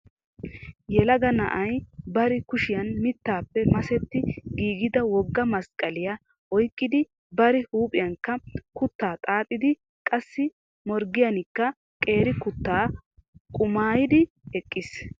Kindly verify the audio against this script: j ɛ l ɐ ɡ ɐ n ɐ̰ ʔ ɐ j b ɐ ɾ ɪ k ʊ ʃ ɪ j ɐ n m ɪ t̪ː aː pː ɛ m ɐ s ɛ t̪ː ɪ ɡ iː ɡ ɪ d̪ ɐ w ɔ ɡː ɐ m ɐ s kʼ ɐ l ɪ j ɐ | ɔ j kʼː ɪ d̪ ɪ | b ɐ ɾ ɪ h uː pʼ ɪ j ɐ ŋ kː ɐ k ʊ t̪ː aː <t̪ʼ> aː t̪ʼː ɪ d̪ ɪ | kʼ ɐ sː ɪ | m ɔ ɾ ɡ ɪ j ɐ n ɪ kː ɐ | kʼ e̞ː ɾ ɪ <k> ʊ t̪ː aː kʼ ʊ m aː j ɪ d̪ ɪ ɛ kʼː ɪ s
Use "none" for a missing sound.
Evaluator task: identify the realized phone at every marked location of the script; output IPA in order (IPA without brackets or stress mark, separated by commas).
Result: t̪ʼ, k